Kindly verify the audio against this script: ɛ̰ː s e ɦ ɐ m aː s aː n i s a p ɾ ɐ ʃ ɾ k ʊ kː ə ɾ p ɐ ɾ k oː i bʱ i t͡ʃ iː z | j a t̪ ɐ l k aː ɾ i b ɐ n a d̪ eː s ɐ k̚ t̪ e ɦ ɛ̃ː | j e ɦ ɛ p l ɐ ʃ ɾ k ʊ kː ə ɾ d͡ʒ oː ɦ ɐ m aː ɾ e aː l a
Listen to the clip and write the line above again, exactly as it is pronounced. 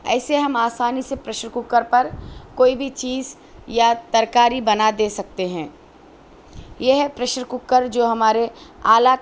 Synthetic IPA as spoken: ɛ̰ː s e ɦ ɐ m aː s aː n i s e p ɾ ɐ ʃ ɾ k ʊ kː ə ɾ p ɐ ɾ k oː i bʱ i t͡ʃ iː z | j a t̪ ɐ ɾ k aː ɾ i b ɐ n a d̪ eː s ɐ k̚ t̪ e ɦ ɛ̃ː | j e ɦ ɛ p ɾ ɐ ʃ ɾ k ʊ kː ə ɾ d͡ʒ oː ɦ ɐ m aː ɾ e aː l a

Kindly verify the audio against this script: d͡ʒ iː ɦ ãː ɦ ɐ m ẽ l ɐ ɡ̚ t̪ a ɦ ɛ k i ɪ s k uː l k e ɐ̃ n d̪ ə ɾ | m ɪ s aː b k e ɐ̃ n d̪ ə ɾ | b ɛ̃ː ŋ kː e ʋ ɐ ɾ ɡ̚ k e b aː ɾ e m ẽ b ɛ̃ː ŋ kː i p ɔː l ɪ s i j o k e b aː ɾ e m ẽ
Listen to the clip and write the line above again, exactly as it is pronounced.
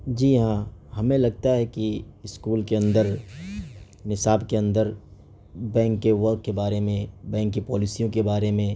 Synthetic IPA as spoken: d͡ʒ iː ɦ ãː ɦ ɐ m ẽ l ɐ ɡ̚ t̪ a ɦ ɛ k i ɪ s k uː l k e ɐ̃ n d̪ ə ɾ | n ɪ s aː b k e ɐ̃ n d̪ ə ɾ | b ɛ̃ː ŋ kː e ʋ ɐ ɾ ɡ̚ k e b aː ɾ e m ẽ b ɛ̃ː ŋ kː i p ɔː l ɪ s i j õ k e b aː ɾ e m ẽ

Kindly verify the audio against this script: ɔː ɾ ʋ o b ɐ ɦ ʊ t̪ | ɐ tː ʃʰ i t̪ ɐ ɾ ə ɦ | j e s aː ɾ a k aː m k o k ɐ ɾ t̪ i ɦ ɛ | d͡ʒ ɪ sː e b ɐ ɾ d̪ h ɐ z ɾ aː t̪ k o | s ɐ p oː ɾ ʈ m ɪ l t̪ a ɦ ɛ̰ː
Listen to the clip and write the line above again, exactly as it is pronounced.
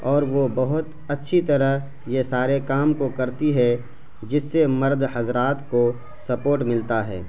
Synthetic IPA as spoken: ɔː ɾ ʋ o b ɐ ɦ ʊ t̪ | ɐ tː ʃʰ i t̪ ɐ ɾ ə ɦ | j e s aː ɾ e k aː m k o k ɐ ɾ t̪ i ɦ ɛ | d͡ʒ ɪ sː e m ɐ ɾ d̪ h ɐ z ɾ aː t̪ k o | s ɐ p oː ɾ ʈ m ɪ l t̪ a ɦ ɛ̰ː

